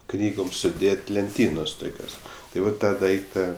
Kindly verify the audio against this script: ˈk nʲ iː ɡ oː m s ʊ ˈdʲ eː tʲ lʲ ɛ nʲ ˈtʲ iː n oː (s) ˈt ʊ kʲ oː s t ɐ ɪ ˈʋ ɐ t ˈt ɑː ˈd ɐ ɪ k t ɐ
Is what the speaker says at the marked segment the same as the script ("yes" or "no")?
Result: yes